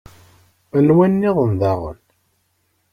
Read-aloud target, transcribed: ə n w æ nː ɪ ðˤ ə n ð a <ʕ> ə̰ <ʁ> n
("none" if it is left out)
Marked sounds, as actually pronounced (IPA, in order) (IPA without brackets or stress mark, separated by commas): ʁ, none